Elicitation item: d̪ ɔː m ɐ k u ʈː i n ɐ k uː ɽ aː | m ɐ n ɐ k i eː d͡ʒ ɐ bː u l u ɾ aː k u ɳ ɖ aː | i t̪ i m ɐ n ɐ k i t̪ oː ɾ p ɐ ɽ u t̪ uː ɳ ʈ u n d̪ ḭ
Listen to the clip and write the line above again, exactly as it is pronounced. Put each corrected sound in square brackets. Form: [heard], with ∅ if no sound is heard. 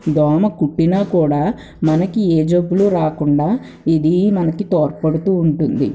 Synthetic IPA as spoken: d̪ ɔː m ɐ k u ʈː i n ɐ k uː ɽ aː | m ɐ n ɐ k i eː d͡ʒ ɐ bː u l u ɾ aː k u ɳ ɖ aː | i [d̪] i m ɐ n ɐ k i t̪ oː ɾ p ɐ ɽ u t̪ uː ɳ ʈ u n d̪ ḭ